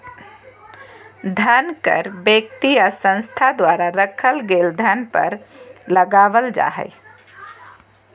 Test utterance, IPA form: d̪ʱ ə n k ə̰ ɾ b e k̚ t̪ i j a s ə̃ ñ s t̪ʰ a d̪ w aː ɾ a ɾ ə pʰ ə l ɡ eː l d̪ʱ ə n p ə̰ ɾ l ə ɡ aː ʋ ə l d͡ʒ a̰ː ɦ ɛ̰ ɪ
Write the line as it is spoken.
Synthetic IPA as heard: d̪ʱ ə n k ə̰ ɾ b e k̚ t̪ i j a s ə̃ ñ s t̪ʰ a d̪ w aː ɾ a ɾ ə kʰ ə l ɡ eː l d̪ʱ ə n p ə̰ ɾ l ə ɡ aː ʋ ə l d͡ʒ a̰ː ɦ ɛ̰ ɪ